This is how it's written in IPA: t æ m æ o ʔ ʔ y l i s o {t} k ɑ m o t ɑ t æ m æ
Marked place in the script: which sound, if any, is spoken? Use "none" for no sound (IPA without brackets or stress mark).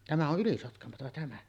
t